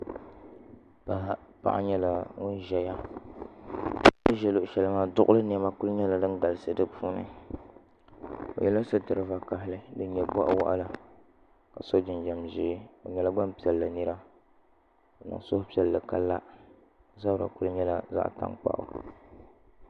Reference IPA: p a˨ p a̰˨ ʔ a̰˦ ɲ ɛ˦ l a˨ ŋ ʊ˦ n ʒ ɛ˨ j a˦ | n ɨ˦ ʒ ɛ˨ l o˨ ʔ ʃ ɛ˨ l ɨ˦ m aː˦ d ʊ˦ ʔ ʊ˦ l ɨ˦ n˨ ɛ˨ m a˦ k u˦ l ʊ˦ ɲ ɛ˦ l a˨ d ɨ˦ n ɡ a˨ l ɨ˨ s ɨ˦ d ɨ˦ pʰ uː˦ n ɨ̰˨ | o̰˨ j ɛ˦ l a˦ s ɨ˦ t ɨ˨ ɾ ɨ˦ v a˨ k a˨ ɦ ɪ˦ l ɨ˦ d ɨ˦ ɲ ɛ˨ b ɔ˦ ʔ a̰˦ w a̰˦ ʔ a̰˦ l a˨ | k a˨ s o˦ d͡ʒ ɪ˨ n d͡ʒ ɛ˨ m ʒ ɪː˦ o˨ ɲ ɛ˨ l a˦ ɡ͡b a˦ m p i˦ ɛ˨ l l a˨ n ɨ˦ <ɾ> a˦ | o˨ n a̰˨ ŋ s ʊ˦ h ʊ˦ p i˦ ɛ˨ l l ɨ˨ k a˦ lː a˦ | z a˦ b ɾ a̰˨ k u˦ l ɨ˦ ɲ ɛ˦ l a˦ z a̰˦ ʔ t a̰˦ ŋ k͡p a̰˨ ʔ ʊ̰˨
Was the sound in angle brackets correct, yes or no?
yes